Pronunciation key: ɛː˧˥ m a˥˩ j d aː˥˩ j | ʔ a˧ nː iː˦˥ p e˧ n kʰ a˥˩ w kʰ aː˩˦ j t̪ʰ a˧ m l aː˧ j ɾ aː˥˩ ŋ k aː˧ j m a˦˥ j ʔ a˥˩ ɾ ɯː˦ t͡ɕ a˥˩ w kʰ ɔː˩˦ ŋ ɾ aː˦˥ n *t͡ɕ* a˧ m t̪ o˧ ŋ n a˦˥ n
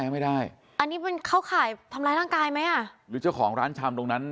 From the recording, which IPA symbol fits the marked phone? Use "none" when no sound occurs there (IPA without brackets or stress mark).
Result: t͡ɕʰ